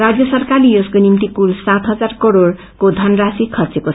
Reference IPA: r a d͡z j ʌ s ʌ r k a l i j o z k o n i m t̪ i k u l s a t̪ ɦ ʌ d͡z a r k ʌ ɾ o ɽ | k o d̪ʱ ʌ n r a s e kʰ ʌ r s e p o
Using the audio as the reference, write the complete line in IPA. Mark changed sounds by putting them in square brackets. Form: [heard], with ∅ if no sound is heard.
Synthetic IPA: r a d͡z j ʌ s ʌ r k a l i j o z k o n i m t̪ i k u l s a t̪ ɦ ʌ d͡z a r k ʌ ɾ o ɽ | k o d̪ʱ ʌ n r a s [i] kʰ ʌ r [t͡s] e [k] o